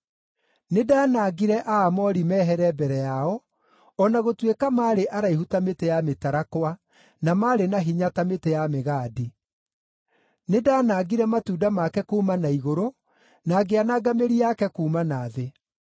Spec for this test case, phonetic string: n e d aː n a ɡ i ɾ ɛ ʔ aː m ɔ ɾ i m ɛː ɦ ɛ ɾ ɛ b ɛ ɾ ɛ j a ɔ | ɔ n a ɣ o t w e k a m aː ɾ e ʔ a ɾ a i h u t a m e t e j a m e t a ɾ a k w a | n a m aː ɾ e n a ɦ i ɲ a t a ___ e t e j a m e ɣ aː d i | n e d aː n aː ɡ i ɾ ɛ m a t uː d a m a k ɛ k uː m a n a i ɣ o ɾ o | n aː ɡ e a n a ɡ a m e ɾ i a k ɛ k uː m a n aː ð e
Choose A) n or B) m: B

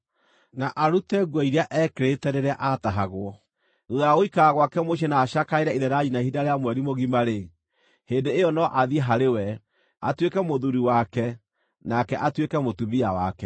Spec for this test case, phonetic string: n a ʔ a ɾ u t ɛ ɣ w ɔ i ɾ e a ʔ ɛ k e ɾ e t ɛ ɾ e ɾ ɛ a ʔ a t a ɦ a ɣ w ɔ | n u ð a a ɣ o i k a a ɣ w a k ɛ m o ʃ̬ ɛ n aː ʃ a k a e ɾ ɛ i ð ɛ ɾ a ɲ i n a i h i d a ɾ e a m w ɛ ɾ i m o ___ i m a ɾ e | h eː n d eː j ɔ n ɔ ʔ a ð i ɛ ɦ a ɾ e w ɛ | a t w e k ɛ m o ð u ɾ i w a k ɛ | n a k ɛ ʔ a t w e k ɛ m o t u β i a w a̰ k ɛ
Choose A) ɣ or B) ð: A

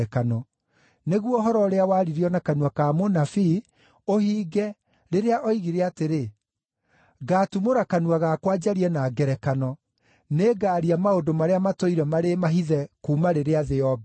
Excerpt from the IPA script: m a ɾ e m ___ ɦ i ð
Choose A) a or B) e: A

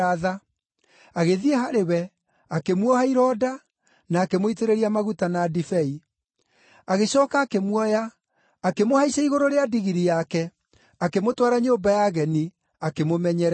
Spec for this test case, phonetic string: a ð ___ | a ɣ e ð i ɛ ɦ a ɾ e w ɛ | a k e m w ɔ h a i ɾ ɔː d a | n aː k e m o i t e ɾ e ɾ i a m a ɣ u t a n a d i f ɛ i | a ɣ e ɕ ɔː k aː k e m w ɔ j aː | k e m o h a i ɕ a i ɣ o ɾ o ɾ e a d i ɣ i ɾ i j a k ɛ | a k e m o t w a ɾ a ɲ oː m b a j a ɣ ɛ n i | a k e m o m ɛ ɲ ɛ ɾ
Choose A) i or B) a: B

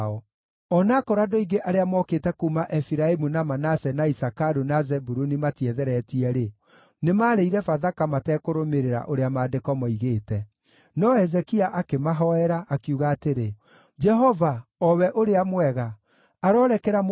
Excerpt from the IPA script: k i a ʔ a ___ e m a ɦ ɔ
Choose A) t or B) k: B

